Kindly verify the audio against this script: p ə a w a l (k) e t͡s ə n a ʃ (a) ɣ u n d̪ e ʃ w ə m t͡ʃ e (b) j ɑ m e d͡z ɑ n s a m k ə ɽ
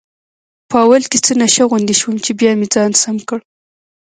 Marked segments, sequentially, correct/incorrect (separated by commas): correct, correct, correct